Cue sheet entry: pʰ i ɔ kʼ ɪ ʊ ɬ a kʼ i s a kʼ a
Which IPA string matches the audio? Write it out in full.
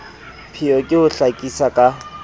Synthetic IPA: pʰ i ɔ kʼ ɪ ʊ ɬ a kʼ i s a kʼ a